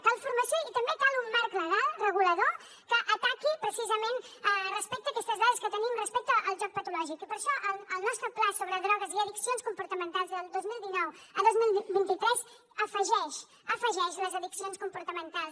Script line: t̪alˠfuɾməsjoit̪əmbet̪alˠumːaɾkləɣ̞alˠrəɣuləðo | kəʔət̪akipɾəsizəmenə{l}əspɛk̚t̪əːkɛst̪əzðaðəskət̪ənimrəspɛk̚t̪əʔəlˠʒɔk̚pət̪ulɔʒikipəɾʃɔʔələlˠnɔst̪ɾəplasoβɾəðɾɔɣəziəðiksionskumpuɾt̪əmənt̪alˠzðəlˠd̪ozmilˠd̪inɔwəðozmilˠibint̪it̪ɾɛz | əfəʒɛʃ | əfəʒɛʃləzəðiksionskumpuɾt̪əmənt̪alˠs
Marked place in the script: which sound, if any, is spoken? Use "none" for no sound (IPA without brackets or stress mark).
r